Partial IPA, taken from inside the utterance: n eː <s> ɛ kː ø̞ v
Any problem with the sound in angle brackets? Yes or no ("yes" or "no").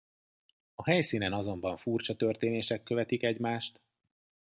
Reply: yes